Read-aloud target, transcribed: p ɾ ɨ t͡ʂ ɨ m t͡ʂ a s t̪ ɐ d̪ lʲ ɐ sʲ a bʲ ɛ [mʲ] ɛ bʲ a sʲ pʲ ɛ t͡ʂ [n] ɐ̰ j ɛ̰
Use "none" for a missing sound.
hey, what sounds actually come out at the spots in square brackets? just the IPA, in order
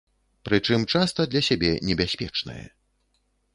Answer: nʲ, n

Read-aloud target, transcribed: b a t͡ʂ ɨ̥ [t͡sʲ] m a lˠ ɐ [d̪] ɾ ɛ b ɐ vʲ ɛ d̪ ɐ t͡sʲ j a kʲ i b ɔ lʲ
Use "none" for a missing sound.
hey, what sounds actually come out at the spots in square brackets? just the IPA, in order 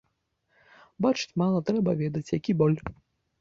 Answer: t͡sʲ, t̪

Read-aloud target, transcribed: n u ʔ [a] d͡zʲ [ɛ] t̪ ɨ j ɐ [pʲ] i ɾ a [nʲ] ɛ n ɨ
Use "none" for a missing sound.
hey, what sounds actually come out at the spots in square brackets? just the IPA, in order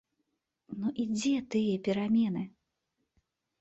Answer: i, ɛ, pʲ, mʲ

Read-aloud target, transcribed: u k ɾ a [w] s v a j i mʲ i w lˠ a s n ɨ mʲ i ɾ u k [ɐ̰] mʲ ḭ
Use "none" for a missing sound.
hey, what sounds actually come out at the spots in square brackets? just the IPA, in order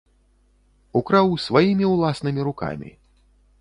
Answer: w, a̰

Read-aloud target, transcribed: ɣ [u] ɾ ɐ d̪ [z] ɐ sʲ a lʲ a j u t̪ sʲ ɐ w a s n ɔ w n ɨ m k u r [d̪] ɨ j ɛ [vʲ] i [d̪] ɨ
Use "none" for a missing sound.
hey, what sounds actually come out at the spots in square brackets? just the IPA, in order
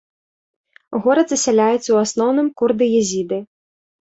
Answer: ɔ, z, d̪, zʲ, d̪

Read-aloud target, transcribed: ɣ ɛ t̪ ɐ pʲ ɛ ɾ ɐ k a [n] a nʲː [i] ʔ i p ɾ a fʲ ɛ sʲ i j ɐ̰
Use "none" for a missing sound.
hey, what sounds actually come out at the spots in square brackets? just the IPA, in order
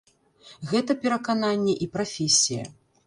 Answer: n, ɛ

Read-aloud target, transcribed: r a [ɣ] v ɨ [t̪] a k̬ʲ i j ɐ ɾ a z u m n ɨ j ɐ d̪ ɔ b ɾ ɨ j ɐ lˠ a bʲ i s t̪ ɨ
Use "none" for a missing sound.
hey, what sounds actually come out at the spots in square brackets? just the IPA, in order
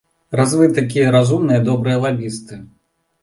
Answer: z, t̪

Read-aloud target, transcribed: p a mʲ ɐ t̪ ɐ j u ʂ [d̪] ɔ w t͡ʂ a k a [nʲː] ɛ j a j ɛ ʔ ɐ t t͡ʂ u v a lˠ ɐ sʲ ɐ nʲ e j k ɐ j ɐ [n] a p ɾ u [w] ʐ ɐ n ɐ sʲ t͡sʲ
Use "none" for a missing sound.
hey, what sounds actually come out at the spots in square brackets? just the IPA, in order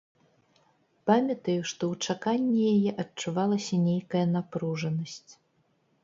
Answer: t̪, nʲː, n, none

